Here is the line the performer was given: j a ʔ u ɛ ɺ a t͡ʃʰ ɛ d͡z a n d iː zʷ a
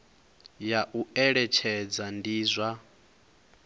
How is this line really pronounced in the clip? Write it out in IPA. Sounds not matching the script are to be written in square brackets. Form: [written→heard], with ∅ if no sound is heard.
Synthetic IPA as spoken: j a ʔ u ɛ ɺ [a→ɛ] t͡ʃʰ ɛ d͡z a n d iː zʷ a